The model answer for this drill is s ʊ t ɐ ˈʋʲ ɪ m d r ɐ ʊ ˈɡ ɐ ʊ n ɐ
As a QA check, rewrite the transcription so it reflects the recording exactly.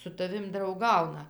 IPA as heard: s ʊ t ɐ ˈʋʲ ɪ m d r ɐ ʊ ˈɡ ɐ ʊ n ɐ